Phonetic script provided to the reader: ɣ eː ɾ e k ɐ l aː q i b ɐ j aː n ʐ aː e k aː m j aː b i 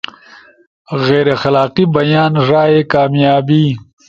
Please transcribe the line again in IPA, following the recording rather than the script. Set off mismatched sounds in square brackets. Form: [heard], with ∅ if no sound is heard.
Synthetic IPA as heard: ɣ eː ɾ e [x] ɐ l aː q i b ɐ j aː n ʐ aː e k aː m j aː b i